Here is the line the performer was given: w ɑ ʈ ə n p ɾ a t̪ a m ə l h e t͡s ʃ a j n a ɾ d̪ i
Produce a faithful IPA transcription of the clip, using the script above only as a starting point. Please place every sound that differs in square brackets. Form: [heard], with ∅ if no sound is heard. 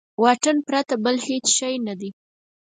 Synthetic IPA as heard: w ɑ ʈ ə n p ɾ a t̪ a [b] ə l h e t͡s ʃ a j n a [∅] d̪ i